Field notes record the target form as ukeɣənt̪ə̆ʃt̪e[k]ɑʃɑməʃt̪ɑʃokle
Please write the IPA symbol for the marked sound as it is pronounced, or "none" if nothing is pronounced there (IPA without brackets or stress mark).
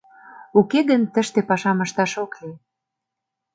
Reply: p